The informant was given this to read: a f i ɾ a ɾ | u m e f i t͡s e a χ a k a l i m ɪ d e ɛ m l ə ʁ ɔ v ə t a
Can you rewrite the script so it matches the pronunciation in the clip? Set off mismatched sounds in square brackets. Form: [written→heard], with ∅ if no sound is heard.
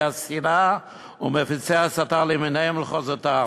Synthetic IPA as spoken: a [f→s] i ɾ a [ɾ→∅] | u m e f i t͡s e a [χ→s] a [k→t] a l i m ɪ [d→n] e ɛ m l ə [ʁ→χ] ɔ [v→z] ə t a